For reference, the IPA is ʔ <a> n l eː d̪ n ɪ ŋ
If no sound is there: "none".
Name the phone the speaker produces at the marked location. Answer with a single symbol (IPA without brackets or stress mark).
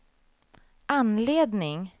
a